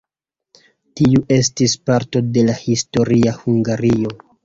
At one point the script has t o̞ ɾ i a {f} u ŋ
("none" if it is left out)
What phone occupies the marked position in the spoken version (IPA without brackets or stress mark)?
h